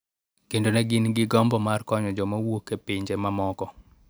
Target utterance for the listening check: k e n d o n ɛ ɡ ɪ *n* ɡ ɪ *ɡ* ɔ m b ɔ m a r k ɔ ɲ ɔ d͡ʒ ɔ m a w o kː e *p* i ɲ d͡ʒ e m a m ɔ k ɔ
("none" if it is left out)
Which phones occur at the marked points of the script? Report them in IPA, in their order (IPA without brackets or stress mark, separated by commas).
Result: n, ɡ, p